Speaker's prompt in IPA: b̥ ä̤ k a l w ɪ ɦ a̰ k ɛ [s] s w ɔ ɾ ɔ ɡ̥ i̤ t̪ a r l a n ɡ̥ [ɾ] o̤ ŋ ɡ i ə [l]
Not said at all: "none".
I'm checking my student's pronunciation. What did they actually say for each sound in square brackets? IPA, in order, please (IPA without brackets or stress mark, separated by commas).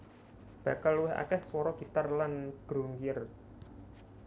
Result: h, ɾ, r